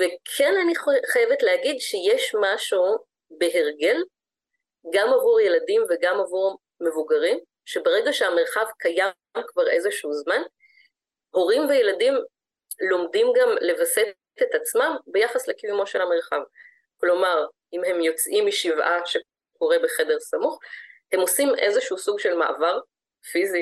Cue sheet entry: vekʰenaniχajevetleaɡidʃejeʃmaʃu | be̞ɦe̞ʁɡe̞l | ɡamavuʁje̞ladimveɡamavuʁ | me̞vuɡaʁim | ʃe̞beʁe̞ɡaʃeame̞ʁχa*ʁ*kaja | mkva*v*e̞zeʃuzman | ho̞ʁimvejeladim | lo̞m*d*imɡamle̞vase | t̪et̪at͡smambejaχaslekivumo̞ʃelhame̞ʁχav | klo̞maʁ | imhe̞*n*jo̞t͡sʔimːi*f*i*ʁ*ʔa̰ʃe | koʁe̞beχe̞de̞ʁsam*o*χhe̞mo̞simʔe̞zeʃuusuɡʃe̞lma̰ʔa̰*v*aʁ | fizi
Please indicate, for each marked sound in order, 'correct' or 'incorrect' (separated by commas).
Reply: incorrect, incorrect, correct, incorrect, incorrect, incorrect, incorrect, correct